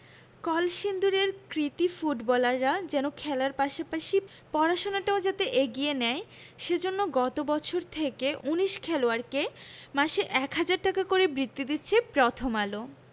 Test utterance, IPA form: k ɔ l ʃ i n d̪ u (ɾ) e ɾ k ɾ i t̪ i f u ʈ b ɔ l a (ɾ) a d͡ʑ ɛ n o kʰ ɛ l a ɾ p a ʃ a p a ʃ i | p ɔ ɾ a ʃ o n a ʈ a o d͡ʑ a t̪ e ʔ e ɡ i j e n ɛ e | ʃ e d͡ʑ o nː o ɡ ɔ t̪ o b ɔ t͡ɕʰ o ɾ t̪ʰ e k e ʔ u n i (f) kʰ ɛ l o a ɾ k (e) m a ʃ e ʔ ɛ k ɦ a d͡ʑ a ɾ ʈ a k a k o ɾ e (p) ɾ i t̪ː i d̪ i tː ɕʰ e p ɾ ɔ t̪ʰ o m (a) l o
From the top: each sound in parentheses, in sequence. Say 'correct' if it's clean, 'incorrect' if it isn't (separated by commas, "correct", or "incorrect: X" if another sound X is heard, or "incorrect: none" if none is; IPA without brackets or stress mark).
correct, incorrect: ɾː, incorrect: ʃ, correct, incorrect: b, correct